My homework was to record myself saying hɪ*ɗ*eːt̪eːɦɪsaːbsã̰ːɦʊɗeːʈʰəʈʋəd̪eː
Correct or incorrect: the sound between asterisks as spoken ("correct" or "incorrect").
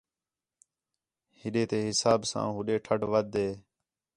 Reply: correct